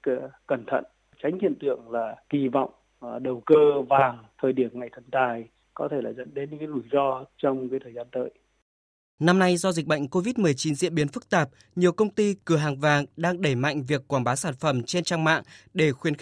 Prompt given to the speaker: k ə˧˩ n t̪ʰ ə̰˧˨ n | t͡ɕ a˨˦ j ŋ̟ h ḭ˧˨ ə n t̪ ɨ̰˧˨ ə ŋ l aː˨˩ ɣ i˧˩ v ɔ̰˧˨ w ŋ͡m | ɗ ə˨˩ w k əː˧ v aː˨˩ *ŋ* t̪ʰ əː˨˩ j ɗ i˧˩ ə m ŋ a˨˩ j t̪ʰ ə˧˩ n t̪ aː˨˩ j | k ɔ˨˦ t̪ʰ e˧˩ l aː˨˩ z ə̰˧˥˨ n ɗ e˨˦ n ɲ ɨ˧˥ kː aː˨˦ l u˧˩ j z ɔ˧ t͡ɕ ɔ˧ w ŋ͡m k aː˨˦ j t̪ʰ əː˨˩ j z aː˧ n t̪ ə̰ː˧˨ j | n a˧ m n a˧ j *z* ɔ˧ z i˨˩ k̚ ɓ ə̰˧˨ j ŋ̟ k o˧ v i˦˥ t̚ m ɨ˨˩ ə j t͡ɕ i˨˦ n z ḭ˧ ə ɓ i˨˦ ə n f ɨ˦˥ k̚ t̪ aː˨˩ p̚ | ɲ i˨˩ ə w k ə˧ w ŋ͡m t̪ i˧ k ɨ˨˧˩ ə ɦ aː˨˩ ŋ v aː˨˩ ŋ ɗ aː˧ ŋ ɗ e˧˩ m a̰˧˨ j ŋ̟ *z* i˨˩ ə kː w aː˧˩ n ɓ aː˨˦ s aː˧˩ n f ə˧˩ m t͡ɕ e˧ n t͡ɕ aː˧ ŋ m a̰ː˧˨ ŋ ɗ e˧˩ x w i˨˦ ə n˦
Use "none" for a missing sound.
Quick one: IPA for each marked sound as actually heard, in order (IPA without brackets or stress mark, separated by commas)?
ŋ, z, v